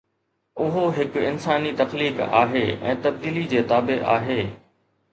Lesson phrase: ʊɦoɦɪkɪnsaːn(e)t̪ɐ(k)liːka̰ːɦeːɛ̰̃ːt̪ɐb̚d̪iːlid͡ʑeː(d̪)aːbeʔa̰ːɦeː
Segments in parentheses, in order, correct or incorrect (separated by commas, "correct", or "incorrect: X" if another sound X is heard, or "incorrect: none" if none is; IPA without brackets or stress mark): incorrect: i, incorrect: x, incorrect: t̪